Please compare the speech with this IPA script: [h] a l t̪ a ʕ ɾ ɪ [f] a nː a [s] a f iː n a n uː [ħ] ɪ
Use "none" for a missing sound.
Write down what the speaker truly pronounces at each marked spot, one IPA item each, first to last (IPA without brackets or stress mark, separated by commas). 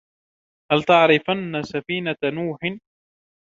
h, f, s, ħ